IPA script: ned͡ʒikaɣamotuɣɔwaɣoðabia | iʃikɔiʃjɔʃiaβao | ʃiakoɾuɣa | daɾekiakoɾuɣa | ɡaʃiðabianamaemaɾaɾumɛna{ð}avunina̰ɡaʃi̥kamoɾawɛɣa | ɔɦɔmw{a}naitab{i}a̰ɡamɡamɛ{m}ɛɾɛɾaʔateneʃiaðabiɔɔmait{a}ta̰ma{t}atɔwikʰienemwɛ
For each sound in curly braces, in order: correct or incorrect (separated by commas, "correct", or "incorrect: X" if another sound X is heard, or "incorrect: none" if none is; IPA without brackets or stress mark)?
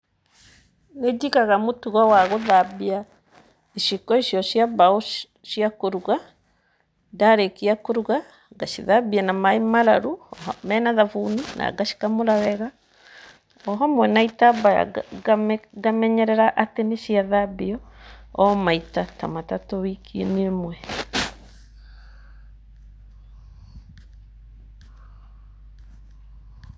correct, incorrect: ɛ, incorrect: a, incorrect: ɲ, correct, correct